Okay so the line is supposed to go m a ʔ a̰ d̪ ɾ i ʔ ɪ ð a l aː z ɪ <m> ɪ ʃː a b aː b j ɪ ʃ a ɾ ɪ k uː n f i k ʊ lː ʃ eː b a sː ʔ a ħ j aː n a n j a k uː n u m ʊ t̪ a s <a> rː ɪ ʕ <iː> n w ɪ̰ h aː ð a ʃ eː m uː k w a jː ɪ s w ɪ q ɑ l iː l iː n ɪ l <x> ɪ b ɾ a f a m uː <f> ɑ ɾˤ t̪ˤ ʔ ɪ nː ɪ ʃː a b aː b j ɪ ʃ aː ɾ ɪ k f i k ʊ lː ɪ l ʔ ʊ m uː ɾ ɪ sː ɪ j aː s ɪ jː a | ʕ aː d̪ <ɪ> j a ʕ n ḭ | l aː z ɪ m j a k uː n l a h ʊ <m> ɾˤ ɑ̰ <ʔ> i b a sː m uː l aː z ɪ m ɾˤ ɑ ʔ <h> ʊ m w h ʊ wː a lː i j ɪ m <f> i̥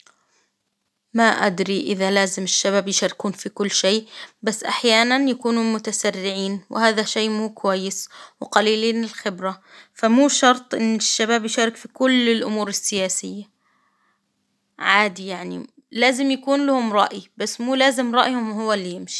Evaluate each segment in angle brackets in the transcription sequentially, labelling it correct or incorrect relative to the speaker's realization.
correct, correct, correct, correct, incorrect: ʃ, incorrect: i, correct, correct, correct, incorrect: ʃ

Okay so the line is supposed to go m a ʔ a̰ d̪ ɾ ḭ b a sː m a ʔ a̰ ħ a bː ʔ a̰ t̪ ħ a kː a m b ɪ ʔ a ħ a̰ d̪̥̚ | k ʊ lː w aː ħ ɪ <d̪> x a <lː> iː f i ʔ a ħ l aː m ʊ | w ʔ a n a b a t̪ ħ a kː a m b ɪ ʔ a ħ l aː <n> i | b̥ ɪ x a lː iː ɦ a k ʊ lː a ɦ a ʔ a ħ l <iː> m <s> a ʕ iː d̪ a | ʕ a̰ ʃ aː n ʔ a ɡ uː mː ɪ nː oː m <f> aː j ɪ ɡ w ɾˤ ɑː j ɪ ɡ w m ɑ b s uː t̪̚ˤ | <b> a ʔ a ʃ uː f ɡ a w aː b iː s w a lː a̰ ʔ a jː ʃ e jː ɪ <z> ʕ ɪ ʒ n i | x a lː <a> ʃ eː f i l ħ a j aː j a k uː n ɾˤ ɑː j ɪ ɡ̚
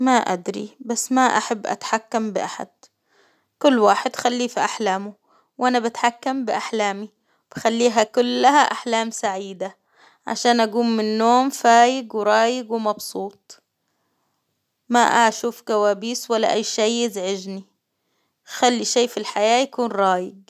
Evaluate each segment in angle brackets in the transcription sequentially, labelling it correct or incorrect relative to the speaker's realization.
correct, correct, incorrect: m, incorrect: aː, correct, correct, incorrect: m, correct, incorrect: i

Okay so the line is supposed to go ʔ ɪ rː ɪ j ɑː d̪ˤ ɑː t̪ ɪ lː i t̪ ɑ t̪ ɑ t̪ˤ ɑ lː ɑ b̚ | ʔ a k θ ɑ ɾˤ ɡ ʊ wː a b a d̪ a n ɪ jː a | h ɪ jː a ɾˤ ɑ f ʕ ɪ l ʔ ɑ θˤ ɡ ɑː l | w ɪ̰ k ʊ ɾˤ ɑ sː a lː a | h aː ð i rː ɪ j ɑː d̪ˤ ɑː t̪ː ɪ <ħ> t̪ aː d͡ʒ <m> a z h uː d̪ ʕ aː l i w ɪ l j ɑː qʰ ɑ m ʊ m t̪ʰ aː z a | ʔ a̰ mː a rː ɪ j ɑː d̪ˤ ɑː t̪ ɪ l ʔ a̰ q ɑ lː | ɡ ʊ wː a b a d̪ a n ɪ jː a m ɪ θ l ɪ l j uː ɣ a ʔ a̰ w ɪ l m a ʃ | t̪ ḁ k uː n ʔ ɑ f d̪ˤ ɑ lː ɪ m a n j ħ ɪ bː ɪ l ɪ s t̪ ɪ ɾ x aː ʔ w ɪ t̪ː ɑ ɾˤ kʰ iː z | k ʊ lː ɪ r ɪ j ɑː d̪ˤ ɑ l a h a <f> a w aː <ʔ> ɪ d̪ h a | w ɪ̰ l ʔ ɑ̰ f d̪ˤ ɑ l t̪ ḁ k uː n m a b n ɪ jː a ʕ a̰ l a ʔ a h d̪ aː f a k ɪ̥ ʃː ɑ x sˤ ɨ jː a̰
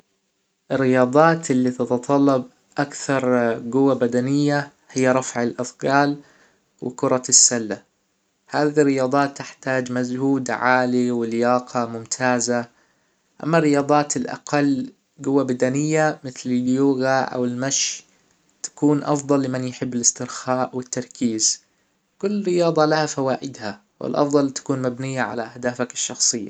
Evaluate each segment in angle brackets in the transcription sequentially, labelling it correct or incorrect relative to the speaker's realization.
correct, correct, correct, correct

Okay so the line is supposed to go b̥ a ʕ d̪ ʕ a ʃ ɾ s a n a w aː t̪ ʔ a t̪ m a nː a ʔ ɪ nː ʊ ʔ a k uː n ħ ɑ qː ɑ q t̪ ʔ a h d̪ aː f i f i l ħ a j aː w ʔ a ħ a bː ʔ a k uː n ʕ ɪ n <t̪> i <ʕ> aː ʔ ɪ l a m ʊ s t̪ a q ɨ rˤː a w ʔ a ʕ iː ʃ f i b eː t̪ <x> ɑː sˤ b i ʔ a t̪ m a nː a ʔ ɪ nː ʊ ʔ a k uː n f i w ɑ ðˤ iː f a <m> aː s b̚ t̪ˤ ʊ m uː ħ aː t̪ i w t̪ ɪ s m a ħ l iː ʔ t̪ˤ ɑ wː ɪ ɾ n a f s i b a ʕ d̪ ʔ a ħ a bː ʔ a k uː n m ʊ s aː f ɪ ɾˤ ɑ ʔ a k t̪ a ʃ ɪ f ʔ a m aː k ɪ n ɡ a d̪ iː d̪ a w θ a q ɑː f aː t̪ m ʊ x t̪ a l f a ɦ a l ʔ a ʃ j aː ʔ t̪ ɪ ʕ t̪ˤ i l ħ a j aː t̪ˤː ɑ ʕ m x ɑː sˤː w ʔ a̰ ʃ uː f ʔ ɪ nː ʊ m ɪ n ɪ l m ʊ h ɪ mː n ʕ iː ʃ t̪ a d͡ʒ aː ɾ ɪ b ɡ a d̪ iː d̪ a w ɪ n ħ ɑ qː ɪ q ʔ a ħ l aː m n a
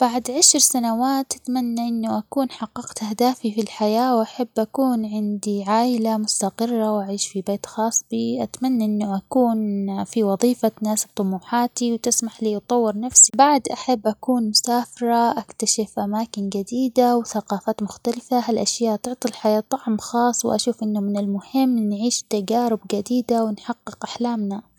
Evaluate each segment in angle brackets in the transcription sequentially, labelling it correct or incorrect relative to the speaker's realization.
incorrect: d̪, correct, correct, incorrect: n

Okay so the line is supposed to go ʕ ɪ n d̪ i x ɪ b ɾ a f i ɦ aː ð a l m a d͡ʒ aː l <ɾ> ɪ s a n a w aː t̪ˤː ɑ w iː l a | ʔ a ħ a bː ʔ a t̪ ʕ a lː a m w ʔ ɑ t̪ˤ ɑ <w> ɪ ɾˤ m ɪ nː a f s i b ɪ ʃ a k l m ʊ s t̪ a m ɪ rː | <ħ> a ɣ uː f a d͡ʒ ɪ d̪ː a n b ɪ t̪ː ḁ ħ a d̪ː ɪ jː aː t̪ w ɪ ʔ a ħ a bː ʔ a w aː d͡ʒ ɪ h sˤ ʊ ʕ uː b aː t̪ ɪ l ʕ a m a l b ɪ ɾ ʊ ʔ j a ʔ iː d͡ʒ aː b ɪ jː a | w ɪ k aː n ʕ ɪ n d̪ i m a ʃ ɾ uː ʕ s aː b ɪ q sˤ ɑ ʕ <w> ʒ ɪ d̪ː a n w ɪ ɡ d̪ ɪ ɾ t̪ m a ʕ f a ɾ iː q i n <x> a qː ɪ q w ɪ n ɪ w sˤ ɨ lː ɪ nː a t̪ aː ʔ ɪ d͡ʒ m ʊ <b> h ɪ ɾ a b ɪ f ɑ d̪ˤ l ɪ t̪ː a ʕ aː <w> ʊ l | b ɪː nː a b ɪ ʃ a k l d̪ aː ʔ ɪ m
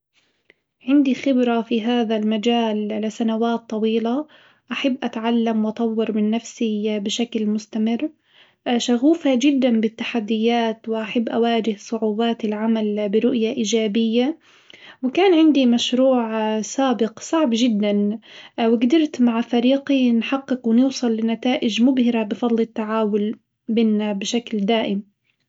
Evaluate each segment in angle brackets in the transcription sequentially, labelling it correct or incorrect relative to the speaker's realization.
incorrect: l, incorrect: wː, incorrect: ʃ, incorrect: b, incorrect: ħ, correct, correct

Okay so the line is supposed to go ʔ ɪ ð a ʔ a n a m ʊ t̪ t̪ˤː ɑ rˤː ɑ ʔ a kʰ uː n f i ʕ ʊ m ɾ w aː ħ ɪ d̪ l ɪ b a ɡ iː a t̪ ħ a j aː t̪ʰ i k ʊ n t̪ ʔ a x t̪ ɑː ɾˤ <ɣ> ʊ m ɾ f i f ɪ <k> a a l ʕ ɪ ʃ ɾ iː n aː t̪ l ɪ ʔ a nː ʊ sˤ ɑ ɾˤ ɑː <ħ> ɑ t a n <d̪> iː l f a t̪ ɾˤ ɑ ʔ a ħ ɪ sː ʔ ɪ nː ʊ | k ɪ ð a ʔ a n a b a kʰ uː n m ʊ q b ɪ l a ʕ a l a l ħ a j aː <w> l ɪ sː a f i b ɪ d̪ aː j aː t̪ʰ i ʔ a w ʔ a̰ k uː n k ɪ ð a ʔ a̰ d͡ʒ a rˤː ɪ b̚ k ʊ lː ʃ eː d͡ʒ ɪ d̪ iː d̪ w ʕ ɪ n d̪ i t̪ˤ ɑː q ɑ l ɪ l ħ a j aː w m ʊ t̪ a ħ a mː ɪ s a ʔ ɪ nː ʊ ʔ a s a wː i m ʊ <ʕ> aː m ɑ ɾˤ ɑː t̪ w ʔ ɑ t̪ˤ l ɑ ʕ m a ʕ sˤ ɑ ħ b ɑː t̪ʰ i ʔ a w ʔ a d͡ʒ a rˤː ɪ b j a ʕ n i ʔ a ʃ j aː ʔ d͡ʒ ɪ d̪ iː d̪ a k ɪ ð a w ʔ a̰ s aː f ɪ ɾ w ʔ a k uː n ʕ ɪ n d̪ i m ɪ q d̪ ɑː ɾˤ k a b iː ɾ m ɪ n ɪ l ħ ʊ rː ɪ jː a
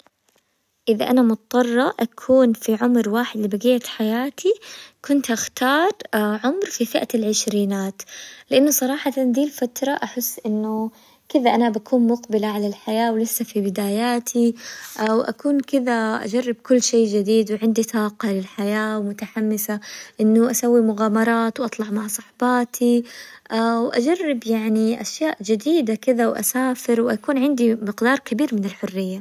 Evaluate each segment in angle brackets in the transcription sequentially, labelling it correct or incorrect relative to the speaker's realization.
incorrect: ʕ, incorrect: ʔ, correct, correct, correct, incorrect: ɣ

